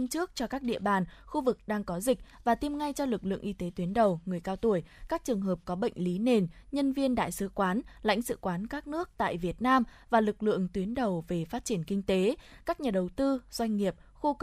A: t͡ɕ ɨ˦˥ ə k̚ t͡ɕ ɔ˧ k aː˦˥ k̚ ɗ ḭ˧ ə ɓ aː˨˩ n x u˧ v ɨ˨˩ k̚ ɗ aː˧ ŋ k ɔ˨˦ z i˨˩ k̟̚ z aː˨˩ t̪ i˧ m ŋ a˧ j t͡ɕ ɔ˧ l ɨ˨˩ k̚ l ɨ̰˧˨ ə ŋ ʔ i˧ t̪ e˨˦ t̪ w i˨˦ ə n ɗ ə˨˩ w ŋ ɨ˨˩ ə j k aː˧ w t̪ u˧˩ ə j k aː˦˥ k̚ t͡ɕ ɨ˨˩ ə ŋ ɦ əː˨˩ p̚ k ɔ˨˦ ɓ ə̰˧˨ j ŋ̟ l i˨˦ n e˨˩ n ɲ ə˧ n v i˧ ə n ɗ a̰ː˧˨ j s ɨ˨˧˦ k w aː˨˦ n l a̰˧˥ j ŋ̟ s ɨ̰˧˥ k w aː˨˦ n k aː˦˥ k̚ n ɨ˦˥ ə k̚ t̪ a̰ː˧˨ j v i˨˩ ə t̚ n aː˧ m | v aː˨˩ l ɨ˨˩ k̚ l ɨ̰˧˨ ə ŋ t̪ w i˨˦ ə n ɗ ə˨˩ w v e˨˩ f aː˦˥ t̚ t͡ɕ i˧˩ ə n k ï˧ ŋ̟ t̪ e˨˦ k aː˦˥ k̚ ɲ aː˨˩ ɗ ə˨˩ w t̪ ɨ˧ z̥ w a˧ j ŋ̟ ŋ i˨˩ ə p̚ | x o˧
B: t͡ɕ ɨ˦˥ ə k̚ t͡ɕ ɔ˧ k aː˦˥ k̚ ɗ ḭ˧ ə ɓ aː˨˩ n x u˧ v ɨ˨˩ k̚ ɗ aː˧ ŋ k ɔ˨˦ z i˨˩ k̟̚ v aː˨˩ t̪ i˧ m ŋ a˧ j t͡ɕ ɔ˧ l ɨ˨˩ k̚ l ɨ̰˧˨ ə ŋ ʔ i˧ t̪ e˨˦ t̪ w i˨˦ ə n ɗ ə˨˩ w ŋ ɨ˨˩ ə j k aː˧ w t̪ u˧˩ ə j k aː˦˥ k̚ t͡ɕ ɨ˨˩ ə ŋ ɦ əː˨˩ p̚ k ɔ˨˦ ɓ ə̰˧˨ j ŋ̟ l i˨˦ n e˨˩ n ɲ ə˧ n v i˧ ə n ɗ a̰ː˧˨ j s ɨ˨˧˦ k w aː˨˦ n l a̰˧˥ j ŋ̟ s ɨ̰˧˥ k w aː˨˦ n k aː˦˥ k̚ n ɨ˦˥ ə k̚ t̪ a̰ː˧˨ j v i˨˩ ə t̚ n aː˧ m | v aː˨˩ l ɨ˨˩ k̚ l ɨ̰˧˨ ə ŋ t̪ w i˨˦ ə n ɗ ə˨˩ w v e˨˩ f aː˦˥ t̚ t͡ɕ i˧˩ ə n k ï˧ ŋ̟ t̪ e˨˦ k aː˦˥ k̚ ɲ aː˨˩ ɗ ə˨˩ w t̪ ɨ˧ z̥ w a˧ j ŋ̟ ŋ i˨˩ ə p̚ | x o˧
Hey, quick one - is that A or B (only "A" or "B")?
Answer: B